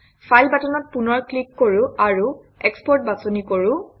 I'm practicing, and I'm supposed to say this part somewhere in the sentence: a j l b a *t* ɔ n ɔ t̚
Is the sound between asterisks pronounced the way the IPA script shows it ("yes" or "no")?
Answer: yes